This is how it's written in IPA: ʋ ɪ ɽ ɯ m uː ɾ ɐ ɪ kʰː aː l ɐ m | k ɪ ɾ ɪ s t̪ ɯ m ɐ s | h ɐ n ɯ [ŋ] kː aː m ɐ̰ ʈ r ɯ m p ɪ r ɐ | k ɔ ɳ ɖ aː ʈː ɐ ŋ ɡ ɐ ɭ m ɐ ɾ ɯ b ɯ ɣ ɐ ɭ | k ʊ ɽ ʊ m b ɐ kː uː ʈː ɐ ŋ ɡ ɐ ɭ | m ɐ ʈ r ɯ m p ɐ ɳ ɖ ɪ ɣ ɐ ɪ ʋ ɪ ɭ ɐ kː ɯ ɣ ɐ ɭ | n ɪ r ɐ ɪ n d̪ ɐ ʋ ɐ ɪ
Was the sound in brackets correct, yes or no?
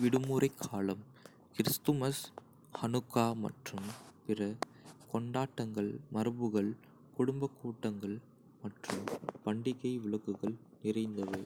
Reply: no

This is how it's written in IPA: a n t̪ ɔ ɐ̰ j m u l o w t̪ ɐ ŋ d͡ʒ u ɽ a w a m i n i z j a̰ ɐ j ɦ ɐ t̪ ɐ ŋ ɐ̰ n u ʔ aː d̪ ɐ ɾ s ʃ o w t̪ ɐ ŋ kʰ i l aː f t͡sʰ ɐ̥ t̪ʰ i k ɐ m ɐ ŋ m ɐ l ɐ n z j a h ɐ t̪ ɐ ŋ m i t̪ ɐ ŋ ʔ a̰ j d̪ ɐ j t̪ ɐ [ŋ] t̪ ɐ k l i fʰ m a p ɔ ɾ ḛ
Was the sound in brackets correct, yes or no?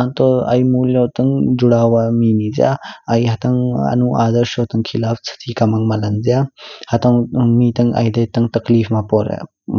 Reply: yes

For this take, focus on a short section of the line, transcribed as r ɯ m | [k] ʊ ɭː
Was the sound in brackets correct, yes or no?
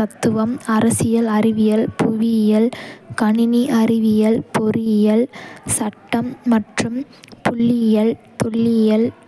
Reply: no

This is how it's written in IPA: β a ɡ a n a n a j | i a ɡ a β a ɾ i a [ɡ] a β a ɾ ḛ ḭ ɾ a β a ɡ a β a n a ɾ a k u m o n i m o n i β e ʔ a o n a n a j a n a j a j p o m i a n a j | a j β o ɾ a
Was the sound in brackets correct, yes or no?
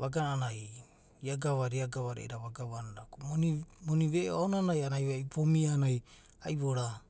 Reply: yes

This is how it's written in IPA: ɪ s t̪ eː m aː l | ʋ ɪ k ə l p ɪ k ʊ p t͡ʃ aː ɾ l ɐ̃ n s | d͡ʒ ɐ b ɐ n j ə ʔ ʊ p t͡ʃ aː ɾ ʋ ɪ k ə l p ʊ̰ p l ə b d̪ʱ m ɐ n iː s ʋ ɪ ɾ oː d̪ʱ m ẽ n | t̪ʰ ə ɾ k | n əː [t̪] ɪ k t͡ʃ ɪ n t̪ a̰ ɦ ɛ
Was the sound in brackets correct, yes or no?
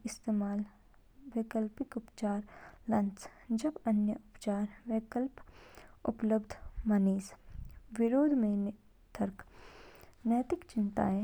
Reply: yes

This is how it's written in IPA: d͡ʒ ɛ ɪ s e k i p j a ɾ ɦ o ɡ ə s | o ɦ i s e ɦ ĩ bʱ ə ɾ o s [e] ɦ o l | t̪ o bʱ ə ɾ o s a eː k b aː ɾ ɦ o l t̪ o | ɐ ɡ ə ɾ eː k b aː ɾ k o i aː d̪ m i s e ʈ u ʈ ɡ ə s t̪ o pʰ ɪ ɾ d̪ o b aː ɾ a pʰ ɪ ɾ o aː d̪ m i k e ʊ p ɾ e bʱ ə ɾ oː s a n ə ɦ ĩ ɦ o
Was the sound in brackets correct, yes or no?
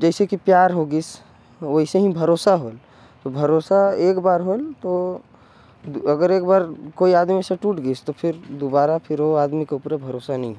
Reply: no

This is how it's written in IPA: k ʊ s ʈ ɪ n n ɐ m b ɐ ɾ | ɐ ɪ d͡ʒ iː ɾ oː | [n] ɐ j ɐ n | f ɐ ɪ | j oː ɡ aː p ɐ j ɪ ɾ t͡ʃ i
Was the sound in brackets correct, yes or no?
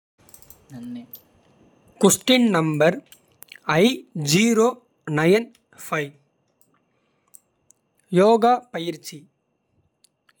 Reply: yes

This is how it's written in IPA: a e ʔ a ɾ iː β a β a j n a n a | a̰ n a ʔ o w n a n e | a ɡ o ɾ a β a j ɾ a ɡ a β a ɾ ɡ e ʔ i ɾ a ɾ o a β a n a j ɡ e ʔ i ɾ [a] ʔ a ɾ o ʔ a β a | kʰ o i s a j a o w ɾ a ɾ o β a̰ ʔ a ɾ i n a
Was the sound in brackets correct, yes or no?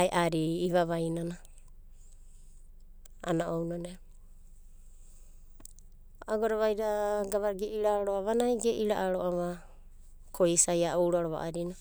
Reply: yes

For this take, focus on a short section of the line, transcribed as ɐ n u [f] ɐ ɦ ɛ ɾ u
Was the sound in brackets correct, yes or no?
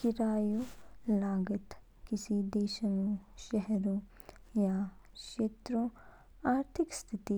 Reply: no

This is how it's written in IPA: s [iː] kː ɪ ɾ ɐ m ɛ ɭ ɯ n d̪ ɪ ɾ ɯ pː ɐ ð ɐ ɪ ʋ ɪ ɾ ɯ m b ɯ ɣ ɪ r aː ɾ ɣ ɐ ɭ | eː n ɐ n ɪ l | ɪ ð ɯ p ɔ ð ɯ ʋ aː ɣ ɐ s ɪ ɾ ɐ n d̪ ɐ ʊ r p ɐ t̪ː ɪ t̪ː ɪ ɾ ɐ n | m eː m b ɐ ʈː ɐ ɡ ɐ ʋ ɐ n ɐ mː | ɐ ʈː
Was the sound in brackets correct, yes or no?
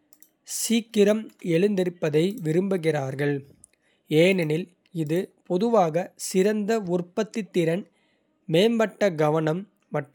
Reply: yes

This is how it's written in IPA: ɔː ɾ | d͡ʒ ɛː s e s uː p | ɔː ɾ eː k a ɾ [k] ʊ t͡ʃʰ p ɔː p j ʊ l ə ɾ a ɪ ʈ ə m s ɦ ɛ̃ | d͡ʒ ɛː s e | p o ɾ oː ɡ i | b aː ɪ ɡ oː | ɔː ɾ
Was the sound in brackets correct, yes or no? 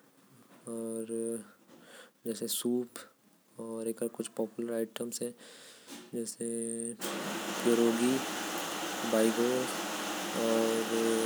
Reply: yes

